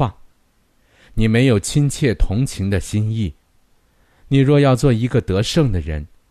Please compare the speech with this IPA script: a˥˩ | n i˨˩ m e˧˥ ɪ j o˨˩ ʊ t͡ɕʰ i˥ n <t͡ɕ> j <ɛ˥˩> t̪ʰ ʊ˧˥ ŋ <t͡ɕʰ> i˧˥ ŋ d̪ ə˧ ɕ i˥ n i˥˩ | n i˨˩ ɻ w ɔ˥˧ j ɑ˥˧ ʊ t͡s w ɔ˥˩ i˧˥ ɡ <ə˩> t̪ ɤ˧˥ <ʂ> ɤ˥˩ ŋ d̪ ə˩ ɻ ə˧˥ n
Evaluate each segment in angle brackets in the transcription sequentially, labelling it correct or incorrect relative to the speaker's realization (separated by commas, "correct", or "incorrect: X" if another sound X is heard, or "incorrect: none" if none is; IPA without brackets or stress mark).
incorrect: t͡ɕʰ, correct, correct, incorrect: ə˧, correct